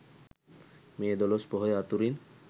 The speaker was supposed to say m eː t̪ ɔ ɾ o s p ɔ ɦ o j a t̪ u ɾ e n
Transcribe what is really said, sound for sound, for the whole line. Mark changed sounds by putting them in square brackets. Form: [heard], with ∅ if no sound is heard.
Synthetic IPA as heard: m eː [d̪] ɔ [l] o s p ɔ ɦ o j a t̪ u ɾ [i] n